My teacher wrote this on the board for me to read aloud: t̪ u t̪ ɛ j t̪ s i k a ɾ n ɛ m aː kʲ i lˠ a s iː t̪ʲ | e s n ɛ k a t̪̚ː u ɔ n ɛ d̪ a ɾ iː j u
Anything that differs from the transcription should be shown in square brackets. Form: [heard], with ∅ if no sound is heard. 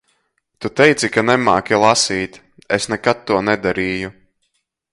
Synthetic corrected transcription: t̪ u t̪ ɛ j t̪ s i k a [∅] n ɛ m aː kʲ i lˠ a s iː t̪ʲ | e s n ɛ k a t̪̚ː u ɔ n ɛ d̪ a ɾ iː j u